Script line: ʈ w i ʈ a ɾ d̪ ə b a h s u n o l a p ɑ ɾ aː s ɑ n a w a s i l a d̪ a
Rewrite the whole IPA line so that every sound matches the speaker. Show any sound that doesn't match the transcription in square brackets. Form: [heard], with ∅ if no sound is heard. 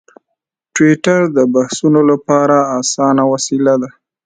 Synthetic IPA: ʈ w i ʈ a ɾ d̪ ə b a h s u n o l a p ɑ ɾ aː s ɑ n a w a s i l a d̪ a